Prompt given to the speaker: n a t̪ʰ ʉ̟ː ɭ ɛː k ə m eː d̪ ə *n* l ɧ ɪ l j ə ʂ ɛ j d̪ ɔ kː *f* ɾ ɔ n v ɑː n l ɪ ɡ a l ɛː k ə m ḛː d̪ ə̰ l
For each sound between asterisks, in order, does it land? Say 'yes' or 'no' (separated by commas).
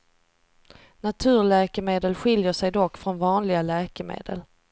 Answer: no, yes